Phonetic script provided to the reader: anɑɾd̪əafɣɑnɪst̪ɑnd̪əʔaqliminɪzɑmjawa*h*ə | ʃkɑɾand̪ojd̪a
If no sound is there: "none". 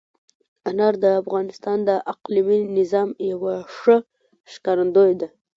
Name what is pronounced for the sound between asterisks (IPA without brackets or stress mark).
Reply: ʂ